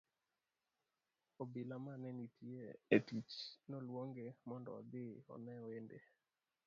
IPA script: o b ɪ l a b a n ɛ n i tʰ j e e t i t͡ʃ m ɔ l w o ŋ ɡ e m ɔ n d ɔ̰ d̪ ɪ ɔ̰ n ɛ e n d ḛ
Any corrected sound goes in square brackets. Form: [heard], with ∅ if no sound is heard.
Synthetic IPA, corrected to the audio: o b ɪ l a [m] a n ɛ n i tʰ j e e t i t͡ʃ [n] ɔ l w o ŋ ɡ e m ɔ n d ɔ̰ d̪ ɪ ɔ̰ n ɛ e n d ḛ